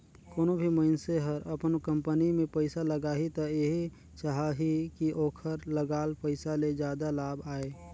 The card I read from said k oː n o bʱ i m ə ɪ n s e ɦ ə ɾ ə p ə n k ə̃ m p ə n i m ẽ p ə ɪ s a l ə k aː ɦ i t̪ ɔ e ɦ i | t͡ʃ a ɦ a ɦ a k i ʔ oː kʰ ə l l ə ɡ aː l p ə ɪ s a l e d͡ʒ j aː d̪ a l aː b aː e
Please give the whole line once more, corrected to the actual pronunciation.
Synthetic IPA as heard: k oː n o bʱ i m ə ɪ n s e ɦ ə ɾ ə p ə n k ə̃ m p ə n i m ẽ p ə ɪ s a l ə ɡ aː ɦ i t̪ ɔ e ɦ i | t͡ʃ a ɦ a ɦ i k i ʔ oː kʰ ə ɾ l ə ɡ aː l p ə ɪ s a l e d͡ʒ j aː d̪ a l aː b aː e